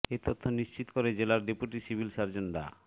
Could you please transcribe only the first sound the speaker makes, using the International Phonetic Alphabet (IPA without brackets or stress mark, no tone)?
e